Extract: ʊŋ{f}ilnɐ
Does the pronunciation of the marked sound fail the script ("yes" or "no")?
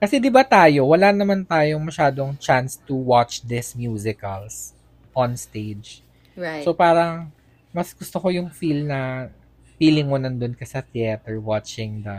no